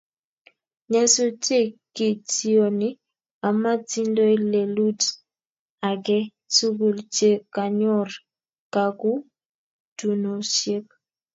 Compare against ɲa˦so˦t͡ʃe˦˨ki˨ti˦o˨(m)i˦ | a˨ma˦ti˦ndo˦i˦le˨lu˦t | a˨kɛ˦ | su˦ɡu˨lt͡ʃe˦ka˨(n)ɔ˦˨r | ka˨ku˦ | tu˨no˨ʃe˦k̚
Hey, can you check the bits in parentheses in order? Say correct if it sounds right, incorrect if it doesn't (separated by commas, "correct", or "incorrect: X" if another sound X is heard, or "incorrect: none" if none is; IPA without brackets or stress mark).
incorrect: n, incorrect: ɲ